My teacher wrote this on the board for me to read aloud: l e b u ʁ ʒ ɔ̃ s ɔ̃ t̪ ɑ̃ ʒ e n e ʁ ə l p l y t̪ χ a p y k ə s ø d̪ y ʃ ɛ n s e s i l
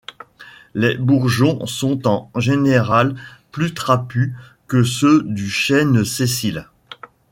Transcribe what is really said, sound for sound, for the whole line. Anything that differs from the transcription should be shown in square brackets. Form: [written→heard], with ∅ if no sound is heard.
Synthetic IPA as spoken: l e b u ʁ ʒ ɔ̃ s ɔ̃ t̪ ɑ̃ ʒ e n e ʁ [ə→a] l p l y t̪ χ a p y k ə s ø d̪ y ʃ ɛ n s e s i l